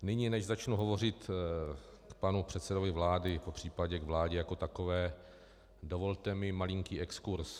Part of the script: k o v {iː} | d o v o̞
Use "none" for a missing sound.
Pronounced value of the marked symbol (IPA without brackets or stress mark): ɛː